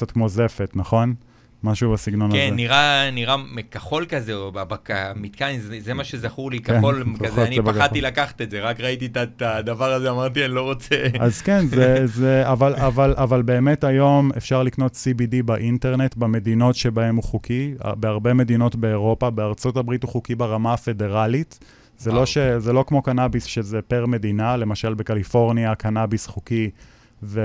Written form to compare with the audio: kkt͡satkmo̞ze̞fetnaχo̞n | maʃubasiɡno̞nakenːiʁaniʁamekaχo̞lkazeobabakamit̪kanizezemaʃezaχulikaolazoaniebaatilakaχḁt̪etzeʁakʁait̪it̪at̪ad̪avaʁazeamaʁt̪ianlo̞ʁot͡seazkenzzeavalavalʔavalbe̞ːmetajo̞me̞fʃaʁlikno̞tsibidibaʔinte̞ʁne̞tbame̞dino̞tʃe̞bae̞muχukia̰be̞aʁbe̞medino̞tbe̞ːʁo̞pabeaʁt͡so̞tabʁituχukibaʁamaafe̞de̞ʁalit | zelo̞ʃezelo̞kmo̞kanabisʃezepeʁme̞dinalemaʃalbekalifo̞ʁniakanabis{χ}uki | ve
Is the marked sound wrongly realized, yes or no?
no